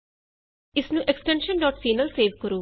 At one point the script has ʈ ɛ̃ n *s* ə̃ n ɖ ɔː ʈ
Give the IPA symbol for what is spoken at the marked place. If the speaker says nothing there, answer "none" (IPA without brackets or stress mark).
ʃ